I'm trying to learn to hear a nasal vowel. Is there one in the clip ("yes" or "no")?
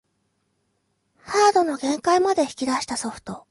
yes